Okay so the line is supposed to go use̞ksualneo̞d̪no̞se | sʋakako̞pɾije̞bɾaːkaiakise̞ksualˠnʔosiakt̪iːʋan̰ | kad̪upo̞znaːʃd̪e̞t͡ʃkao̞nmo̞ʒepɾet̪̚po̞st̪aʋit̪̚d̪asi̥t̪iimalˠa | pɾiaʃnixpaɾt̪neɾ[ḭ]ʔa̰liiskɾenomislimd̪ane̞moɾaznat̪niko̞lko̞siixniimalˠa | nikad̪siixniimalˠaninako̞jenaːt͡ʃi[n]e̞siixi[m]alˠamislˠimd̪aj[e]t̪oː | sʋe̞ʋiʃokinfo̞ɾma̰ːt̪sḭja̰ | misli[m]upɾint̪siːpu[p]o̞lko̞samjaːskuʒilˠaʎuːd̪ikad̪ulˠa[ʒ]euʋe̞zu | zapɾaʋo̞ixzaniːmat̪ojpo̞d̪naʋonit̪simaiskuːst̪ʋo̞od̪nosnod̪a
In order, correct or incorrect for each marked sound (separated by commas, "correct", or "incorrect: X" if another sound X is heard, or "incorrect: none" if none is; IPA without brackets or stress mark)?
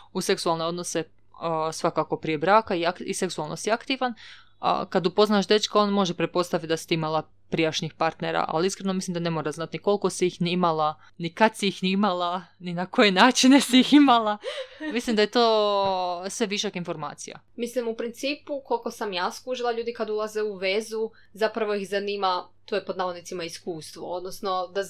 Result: incorrect: a̰, correct, correct, correct, correct, incorrect: k, incorrect: z